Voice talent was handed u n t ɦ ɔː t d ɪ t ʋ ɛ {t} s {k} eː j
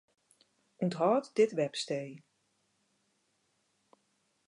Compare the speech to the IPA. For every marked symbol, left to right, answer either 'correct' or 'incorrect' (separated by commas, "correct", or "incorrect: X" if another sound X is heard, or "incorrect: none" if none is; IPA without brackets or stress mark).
incorrect: p, incorrect: t